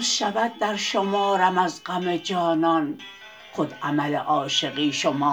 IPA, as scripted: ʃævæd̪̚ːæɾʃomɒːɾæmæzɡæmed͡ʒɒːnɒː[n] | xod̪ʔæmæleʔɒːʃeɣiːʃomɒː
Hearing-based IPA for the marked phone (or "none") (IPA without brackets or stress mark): n